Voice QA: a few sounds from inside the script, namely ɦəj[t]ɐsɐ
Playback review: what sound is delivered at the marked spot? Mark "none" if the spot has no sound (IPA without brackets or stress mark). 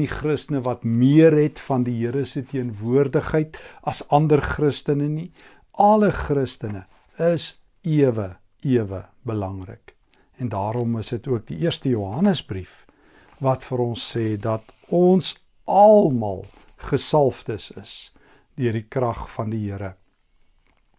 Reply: t